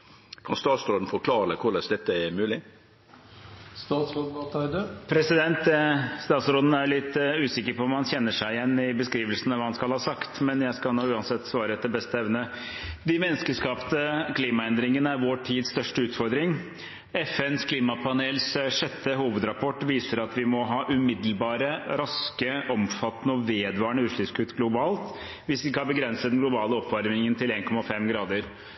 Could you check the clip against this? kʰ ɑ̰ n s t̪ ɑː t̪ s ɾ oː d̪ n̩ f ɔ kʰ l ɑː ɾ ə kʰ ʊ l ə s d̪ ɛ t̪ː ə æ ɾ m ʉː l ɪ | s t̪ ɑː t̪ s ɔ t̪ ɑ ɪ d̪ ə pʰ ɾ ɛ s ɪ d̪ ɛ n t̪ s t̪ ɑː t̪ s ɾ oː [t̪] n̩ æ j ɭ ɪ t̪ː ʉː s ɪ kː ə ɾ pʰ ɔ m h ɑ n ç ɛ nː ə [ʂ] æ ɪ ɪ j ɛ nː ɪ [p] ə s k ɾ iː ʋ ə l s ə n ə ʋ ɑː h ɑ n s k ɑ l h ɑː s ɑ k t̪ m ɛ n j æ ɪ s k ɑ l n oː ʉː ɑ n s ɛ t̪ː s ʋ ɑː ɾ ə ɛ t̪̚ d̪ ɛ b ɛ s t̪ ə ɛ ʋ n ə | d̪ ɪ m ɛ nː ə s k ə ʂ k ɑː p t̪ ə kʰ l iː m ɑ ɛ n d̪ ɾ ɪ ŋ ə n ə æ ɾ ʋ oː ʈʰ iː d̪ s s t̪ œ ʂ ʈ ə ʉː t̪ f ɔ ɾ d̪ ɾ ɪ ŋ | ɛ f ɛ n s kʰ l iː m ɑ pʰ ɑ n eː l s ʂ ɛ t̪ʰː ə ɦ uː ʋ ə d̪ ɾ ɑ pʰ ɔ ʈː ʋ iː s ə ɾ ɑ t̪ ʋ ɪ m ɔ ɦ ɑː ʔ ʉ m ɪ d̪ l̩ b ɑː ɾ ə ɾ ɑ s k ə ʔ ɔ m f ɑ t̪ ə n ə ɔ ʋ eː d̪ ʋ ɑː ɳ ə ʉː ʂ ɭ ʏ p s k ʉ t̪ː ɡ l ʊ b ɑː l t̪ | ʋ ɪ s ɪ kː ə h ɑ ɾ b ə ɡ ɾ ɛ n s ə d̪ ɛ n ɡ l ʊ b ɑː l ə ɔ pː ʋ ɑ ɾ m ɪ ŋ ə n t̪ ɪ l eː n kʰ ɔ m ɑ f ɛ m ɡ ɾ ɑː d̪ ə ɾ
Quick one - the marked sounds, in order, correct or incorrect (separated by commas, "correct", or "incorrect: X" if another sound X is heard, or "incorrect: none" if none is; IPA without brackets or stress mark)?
incorrect: d̪, correct, incorrect: b